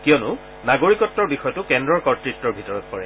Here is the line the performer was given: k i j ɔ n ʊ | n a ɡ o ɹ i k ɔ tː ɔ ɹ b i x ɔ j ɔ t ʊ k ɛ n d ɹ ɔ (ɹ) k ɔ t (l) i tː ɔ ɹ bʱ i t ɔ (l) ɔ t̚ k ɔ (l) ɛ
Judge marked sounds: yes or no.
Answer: yes, no, no, no

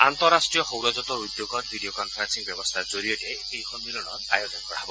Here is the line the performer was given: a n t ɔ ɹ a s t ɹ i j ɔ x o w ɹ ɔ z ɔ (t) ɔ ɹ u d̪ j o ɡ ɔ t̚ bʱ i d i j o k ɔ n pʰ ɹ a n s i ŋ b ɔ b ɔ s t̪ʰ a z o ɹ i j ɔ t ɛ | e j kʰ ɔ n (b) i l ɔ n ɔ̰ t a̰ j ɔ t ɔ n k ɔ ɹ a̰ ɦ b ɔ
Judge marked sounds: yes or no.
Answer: yes, no

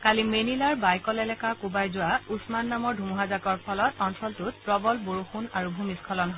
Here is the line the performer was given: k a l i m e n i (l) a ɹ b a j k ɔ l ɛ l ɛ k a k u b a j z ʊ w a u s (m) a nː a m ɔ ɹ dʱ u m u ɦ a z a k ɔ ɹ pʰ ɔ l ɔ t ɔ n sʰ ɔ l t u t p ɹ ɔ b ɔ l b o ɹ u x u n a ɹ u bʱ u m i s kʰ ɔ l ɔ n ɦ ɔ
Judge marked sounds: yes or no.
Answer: yes, yes

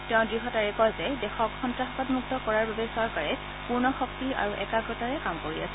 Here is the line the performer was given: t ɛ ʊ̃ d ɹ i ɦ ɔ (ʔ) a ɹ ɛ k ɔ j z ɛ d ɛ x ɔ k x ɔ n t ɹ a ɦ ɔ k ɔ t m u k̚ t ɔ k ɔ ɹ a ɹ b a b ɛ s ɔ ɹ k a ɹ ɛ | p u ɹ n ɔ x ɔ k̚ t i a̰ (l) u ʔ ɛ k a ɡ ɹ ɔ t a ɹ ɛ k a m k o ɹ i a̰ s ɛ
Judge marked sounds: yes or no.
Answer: no, no

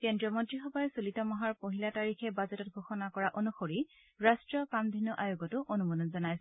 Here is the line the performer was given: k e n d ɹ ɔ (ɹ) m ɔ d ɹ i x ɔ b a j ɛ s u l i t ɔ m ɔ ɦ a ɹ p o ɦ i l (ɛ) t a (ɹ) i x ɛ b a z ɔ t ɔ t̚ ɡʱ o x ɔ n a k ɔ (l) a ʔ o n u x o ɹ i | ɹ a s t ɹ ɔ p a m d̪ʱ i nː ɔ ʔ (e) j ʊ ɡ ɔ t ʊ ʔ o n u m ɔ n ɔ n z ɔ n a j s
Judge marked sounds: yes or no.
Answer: no, no, yes, no, no

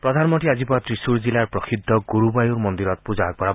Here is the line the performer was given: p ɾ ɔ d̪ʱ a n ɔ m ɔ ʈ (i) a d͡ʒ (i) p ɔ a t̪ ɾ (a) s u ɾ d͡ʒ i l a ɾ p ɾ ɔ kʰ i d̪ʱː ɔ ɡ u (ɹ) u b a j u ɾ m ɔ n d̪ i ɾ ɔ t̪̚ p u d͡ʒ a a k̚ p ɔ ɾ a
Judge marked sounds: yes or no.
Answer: yes, yes, no, no

